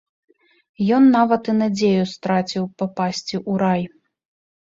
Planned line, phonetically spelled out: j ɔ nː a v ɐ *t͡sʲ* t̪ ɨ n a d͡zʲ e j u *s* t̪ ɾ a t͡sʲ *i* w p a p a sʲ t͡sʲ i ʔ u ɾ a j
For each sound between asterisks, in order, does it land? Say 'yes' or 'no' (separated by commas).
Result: no, yes, yes